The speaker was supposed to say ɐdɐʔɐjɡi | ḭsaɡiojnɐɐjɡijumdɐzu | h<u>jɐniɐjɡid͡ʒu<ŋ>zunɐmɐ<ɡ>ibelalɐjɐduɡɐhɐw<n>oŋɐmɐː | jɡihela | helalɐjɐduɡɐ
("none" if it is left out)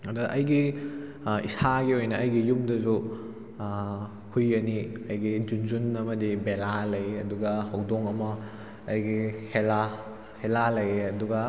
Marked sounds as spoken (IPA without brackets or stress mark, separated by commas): u, n, d, d